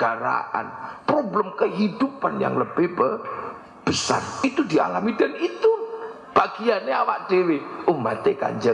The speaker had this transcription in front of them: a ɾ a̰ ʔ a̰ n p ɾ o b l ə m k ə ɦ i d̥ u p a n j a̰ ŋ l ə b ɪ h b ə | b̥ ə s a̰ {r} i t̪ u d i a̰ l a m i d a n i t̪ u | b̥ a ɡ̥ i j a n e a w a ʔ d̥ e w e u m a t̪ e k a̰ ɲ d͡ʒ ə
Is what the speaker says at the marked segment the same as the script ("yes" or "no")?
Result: yes